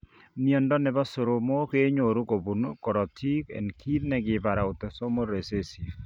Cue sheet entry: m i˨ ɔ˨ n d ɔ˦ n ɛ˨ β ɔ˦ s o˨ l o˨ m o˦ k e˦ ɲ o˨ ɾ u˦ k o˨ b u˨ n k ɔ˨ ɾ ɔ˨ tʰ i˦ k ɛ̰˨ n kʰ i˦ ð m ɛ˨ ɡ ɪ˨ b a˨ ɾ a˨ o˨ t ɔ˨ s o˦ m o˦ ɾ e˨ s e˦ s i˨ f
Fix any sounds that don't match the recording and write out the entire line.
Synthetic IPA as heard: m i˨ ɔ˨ n d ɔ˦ n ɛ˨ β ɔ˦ s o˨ ɾ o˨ m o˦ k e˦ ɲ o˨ ɾ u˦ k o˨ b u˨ n k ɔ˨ ɾ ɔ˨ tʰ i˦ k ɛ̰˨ n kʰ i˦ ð n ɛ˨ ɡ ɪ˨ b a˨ ɾ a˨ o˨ t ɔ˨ s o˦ m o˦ ɾ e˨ s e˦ s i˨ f

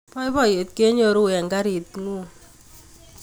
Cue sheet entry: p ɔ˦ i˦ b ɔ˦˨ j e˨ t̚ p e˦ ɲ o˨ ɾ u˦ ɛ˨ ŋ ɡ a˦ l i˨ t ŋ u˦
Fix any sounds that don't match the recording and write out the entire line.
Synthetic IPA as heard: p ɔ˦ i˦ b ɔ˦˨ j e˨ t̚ k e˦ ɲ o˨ ɾ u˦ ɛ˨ ŋ ɡ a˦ ɾ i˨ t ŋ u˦

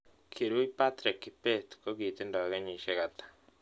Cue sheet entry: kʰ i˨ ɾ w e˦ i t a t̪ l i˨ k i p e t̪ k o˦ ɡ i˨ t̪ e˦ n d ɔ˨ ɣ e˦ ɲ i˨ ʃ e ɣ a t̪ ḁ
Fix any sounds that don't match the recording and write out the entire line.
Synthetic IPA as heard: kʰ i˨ ɾ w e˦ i p a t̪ ɾ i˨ k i p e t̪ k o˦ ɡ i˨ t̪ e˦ n d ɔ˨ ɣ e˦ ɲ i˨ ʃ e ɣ a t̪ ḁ

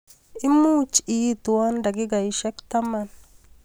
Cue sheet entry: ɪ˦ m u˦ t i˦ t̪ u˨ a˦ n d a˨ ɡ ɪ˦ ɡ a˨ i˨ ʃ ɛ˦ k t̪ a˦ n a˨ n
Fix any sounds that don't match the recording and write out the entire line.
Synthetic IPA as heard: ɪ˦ m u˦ t͡ʃ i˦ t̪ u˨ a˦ n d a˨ ɡ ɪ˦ ɡ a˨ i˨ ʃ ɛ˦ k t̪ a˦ m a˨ n

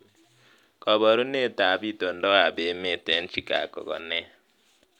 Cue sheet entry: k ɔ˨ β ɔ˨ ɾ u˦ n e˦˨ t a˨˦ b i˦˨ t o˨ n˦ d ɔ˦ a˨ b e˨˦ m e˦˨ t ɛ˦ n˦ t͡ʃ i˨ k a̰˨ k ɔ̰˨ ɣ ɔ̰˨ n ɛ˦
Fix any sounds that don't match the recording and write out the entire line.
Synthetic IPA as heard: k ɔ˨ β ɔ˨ ɾ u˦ n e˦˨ t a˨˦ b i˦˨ t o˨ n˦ d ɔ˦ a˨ b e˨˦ m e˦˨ t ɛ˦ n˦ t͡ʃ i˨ k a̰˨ k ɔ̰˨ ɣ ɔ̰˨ n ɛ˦

